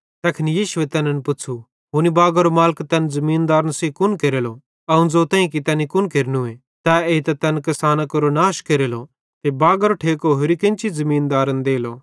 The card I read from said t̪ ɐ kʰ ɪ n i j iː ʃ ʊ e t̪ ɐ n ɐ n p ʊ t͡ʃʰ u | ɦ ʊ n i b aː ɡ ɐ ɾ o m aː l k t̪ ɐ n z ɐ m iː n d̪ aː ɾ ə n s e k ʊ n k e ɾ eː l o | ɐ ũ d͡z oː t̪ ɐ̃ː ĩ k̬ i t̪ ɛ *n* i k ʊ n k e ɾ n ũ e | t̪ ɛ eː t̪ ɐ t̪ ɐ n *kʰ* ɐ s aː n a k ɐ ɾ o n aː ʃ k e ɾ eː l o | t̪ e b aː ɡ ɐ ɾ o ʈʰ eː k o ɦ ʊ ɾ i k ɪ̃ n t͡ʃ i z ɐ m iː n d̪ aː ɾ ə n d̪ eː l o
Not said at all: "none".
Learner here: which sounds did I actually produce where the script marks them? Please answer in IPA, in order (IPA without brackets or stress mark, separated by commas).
n, k